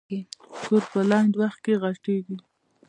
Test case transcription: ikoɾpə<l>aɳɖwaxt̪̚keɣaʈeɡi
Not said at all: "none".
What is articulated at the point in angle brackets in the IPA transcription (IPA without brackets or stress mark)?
l